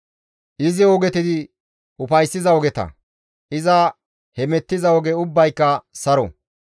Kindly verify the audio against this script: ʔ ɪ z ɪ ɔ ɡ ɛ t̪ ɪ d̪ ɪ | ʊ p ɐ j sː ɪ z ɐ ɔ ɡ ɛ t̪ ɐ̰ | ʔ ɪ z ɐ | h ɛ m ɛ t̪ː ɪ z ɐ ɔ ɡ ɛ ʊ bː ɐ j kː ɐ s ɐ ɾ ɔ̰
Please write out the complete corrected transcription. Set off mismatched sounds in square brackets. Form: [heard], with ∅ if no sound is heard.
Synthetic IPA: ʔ ɪ z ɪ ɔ ɡ ɛ t̪ ɪ d̪ ɪ | ʊ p ɐ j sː ɪ z ɐ ɔ ɡ ɛ t̪ ɐ̰ | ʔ ɪ z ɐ | h ɛ m ɛ t̪ː ɪ z ɐ ɔ ɡ ɛ ʊ bː ɐ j kː ɐ s ɐ ɾ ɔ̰